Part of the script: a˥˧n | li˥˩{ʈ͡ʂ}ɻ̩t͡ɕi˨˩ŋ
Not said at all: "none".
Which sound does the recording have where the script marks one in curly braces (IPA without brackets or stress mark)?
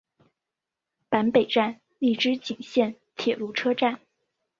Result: ʈ͡ʂ